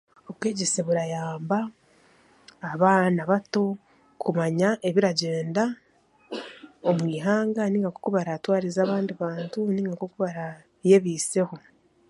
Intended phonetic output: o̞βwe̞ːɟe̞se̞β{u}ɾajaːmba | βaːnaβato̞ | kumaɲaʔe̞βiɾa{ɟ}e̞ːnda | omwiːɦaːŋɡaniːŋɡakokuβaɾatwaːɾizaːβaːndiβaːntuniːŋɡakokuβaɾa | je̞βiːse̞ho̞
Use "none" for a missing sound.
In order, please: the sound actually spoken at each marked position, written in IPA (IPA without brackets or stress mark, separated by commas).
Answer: u, ɟ